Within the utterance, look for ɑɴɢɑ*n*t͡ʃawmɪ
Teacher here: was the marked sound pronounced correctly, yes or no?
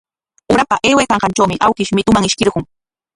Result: yes